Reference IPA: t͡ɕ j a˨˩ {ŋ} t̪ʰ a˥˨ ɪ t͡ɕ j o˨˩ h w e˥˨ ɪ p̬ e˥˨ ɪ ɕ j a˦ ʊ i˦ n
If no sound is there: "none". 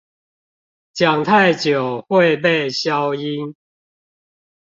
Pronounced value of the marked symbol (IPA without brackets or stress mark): ŋ